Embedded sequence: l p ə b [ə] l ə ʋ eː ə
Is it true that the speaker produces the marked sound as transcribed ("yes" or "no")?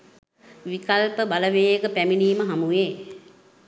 no